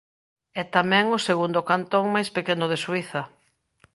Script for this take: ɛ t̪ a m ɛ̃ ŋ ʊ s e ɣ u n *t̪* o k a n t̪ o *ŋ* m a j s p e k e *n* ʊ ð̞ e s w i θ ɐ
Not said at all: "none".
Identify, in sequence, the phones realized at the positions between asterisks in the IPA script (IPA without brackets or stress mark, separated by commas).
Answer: d̪, ŋ, n